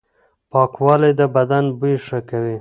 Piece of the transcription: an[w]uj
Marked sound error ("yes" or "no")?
yes